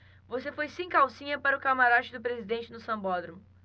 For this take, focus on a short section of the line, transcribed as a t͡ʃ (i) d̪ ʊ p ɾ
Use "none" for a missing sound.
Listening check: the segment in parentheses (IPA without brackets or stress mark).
ɪ